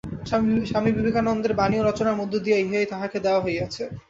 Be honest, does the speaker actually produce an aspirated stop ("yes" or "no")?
yes